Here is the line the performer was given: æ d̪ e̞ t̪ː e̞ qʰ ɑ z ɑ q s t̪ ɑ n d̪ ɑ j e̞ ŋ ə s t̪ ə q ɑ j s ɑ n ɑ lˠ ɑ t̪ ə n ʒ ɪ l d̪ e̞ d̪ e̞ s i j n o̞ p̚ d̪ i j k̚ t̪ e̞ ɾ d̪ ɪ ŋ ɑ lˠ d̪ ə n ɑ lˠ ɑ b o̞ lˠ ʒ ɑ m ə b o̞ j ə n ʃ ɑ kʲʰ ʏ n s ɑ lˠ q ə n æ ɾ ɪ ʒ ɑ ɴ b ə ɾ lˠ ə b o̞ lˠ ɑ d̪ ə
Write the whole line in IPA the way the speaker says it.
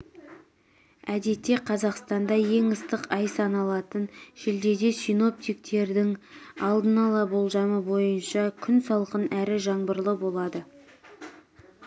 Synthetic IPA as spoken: æ d̪ e̞ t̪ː e̞ qʰ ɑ z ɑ q s t̪ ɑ n d̪ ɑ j e̞ ŋ ə s t̪ ə q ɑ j s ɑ n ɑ lˠ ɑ t̪ ə n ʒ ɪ l d̪ e̞ d̪ e̞ s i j n o̞ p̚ t̪ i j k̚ t̪ e̞ ɾ d̪ ɪ ŋ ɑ lˠ d̪ ə n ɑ lˠ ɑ b o̞ lˠ ʒ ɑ m ə b o̞ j ə n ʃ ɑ kʲʰ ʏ n s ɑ lˠ q ə n æ ɾ ɪ ʒ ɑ ɴ b ə ɾ lˠ ə b o̞ lˠ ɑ d̪ ə